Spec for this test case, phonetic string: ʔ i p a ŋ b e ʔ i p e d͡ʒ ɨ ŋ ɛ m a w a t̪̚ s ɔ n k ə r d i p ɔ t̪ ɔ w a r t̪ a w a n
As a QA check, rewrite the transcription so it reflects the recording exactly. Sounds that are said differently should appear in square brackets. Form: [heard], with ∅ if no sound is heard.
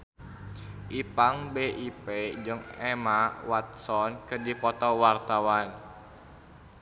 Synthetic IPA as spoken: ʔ i p a ŋ b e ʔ i p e d͡ʒ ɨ ŋ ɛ m a w a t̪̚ s ɔ n k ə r d i p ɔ t̪ ɔ w a r t̪ a w a n

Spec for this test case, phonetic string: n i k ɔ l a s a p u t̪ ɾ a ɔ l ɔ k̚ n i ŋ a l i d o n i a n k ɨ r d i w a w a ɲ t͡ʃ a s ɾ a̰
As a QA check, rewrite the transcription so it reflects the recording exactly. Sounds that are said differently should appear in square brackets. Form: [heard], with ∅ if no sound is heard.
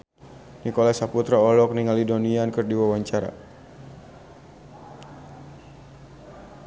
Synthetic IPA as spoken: n i k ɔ l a s a p u t̪ ɾ a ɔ l ɔ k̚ n i ŋ a l i d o n i a n k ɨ r d i w a w a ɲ t͡ʃ a [∅] ɾ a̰

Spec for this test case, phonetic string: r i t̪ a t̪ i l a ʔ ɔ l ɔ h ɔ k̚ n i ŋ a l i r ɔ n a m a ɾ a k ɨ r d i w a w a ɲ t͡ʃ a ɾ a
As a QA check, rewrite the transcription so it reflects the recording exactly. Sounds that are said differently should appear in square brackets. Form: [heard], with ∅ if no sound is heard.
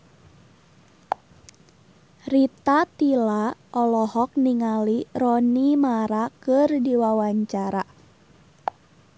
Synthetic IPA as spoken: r i t̪ a t̪ i l a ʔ ɔ l ɔ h ɔ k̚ n i ŋ a l i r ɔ n [i] m a ɾ a k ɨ r d i w a w a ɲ t͡ʃ a ɾ a

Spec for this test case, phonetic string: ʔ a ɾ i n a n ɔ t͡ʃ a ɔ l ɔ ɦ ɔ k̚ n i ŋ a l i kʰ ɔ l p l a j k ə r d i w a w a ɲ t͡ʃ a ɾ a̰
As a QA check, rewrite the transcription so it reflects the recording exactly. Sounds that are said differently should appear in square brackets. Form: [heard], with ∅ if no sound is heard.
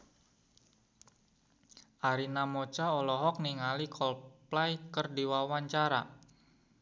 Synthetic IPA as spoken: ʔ a ɾ i n a [m] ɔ t͡ʃ a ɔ l ɔ ɦ ɔ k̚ n i ŋ a l i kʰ ɔ l p l a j k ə r d i w a w a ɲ t͡ʃ a ɾ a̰

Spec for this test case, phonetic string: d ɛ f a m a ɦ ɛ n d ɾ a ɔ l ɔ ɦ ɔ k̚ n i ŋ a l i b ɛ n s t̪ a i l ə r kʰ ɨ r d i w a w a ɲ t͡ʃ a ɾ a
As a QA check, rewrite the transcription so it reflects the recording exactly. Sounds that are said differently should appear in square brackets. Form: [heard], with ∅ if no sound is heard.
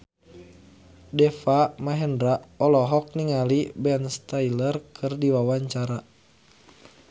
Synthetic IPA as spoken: d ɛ f a m a ɦ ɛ n d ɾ a ɔ l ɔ ɦ ɔ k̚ n i ŋ a l i b ɛ n s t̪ a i l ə r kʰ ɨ r d i w a w a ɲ t͡ʃ a ɾ a

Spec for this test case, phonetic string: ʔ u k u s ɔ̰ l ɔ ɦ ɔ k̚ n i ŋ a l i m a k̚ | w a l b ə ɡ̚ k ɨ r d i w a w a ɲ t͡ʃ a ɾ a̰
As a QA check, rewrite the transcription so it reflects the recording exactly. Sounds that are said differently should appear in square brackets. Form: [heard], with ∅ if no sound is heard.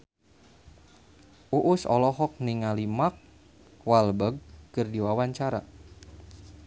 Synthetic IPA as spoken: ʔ u [ʔ] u s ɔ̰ l ɔ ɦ ɔ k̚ n i ŋ a l i m a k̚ | w a l b ə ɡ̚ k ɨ r d i w a w a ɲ t͡ʃ a ɾ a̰

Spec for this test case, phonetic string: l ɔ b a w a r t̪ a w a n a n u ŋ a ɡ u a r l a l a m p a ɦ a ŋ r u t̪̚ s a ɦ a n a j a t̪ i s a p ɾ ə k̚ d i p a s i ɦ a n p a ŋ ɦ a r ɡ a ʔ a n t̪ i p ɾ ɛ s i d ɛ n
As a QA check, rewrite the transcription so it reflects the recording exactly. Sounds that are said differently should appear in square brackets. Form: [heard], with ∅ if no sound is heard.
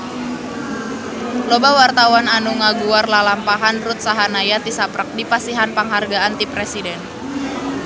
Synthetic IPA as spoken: l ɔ b a w a r t̪ a w a n a n u ŋ a ɡ u a r l a l a m p a ɦ a [n] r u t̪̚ s a ɦ a n a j a t̪ i s a p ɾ ə k̚ d i p a s i ɦ a n p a ŋ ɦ a r ɡ a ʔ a n t̪ i p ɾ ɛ s i d ɛ n

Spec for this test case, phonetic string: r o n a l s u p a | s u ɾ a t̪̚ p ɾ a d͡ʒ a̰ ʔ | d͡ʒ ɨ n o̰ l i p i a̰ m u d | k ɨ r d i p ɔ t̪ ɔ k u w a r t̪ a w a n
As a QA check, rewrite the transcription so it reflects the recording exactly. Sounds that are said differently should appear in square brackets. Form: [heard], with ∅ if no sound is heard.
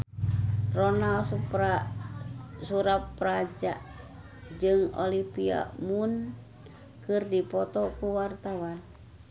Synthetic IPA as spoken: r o n a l s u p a | s u ɾ a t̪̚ p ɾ a d͡ʒ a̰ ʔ | d͡ʒ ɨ [ŋ] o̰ l i p i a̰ m u [n] | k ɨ r d i p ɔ t̪ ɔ k u w a r t̪ a w a n

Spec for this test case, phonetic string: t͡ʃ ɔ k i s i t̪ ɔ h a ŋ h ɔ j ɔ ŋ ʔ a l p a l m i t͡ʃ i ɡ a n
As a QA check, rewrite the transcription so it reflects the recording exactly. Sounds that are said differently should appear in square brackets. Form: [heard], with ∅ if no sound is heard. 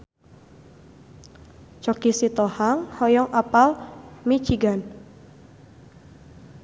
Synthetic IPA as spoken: t͡ʃ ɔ k i s i t̪ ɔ h a ŋ h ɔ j ɔ ŋ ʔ a [∅] p a l m i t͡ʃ i ɡ a n

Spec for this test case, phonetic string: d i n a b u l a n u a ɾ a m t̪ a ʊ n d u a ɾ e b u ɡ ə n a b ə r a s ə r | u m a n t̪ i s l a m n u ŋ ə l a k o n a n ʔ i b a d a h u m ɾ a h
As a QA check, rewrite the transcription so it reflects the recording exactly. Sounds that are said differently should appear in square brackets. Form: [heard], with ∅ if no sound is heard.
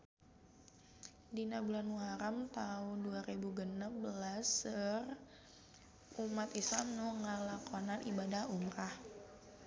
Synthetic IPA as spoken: d i n a b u l a n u a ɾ a m t̪ a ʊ n d u a ɾ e b u ɡ ə n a b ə [l] a s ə r | u m a [∅] t̪ i s l a m n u ŋ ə l a k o n a n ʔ i b a d a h u m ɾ a h

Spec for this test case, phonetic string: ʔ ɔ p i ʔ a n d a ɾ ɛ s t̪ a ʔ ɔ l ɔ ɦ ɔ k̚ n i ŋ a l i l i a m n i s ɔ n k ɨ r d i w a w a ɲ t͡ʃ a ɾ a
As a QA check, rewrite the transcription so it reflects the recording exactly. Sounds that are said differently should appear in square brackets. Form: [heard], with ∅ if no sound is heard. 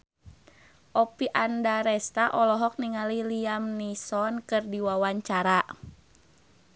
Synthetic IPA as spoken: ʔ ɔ p i ʔ a n d a ɾ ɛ s t̪ a ʔ ɔ l ɔ ɦ ɔ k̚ n i ŋ a l i l i a m n i s ɔ n k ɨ r d i w a w a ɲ t͡ʃ a ɾ a

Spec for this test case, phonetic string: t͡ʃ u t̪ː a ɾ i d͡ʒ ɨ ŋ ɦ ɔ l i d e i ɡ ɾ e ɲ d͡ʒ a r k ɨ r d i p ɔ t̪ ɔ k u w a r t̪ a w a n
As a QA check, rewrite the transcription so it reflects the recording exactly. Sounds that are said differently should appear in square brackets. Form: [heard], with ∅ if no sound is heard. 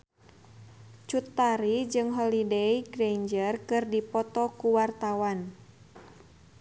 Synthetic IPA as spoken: t͡ʃ u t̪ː a ɾ i d͡ʒ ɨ ŋ ɦ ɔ l i d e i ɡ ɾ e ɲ d͡ʒ [ə] r k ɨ r d i p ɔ t̪ ɔ k u w a r t̪ a w a n

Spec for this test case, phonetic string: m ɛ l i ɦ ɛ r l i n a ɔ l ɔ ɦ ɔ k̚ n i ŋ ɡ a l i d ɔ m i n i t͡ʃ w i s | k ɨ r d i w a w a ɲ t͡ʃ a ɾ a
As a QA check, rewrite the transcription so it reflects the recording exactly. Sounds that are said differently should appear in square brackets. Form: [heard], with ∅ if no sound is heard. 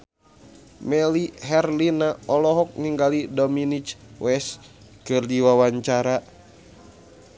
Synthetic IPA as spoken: m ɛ l i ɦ ɛ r l i n a ɔ l ɔ ɦ ɔ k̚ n i ŋ ɡ a l i d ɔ m i n i t͡ʃ w [ɛ] s | k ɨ r d i w a w a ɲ t͡ʃ a ɾ a

